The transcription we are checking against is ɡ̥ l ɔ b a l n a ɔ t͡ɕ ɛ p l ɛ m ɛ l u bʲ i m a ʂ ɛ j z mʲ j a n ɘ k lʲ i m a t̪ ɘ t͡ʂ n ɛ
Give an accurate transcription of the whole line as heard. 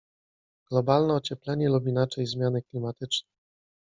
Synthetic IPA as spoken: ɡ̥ l ɔ b a l n ɛ ɔ t͡ɕ ɛ p l ɛ ɲ ɛ l u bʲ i n a t͡ʂ ɛ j z mʲ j a n ɘ k lʲ i m a t̪ ɘ t͡ʂ n ɛ